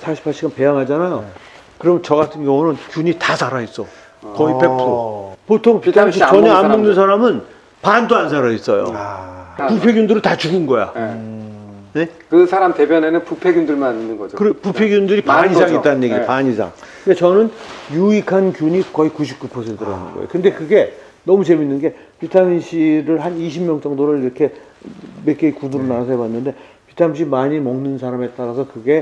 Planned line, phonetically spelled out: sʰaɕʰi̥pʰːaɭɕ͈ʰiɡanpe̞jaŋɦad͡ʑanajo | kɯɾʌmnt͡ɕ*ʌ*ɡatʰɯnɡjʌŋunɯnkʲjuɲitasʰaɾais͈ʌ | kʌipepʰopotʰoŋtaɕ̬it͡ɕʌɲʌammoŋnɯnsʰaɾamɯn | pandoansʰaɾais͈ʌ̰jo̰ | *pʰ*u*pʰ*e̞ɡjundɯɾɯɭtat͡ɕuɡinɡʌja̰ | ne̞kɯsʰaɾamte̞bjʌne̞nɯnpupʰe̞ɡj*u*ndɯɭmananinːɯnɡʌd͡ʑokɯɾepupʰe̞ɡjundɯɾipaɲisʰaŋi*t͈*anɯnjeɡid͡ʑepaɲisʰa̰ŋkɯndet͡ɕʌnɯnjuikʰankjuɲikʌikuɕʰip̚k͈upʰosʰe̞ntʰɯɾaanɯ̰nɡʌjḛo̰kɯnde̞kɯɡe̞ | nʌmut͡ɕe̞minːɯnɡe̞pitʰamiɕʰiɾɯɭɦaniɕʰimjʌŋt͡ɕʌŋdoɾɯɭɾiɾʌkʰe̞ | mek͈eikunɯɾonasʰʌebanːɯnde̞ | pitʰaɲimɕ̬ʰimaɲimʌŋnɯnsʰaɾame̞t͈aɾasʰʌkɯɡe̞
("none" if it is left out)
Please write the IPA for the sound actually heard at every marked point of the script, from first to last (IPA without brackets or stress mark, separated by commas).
ʌ, p, pʰ, u, t͈